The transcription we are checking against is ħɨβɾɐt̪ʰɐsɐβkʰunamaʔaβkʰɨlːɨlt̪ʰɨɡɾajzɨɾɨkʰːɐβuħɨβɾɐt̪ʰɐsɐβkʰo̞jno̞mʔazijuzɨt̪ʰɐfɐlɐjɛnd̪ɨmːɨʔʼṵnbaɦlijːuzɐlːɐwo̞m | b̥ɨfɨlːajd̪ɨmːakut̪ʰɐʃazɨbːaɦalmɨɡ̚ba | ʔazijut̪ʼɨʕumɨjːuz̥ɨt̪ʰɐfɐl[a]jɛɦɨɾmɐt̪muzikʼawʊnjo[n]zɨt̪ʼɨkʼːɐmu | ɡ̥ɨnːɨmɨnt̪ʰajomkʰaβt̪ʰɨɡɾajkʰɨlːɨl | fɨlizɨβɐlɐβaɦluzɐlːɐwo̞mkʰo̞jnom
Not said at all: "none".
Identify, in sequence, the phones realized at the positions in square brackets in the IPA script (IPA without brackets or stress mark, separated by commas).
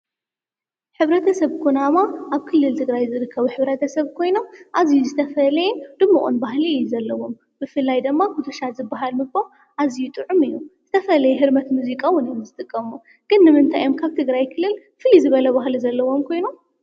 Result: ɐ, m